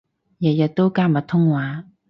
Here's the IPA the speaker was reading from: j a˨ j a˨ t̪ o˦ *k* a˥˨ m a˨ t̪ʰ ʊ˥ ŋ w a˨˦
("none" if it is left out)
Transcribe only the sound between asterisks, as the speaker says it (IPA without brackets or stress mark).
k